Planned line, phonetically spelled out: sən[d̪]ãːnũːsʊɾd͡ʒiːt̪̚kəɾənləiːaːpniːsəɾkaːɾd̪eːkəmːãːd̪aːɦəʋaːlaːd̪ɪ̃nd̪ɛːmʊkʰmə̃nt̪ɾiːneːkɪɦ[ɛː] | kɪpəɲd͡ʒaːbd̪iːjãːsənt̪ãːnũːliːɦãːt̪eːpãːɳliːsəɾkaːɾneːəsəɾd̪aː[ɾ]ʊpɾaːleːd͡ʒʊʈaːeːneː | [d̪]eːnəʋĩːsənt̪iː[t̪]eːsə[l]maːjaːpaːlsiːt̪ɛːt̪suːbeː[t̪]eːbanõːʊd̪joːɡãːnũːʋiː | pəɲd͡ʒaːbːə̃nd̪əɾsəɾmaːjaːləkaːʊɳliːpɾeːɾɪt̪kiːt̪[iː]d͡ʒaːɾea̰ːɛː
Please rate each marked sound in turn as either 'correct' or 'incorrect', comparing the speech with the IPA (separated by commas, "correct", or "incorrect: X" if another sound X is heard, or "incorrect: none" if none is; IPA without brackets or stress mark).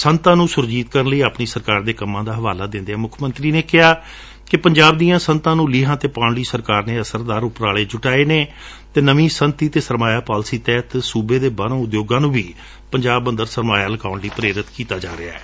incorrect: t̪, incorrect: aː, correct, incorrect: t̪, correct, incorrect: ɾ, incorrect: d̪, incorrect: aː